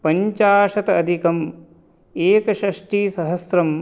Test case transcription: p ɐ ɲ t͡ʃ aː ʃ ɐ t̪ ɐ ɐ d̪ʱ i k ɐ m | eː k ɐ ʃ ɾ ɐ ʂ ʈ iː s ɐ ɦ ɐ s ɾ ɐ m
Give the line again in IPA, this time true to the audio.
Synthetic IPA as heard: p ɐ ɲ t͡ʃ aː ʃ ɐ t̪ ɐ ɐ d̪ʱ i k ɐ m | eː k ɐ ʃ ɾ ɐ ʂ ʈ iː s ɐ ɦ ɐ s ɾ ɐ m